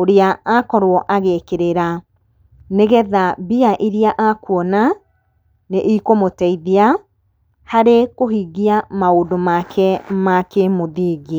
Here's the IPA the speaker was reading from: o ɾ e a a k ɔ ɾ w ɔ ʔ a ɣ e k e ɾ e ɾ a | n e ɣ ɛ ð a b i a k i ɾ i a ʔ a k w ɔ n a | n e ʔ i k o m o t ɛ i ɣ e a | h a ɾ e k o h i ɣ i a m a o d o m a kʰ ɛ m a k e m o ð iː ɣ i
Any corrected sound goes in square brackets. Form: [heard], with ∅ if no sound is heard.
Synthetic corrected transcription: o ɾ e a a k ɔ ɾ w ɔ ʔ a ɣ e k e ɾ e ɾ a | n e ɣ ɛ ð a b i a [ʔ] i ɾ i a ʔ a k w ɔ n a | n e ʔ i k o m o t ɛ i [ð] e a | h a ɾ e k o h i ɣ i a m a o d o m a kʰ ɛ m a k e m o ð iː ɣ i